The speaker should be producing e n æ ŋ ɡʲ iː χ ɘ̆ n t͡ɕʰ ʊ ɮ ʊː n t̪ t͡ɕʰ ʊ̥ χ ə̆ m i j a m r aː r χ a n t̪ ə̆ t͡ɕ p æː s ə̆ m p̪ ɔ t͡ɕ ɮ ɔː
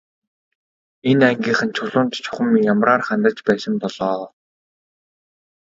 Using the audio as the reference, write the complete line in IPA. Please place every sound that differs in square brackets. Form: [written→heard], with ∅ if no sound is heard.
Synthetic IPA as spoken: e n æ ŋ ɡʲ iː χ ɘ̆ n t͡ɕʰ ʊ ɮ ʊː n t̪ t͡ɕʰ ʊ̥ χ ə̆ m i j a m r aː r χ a n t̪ ə̆ t͡ɕ p æː s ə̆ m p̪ ɔ [t͡ɕ→∅] ɮ ɔː